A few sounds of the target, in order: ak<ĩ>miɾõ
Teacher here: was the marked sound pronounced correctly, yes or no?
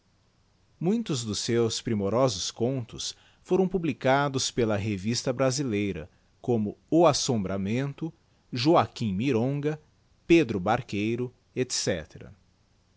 yes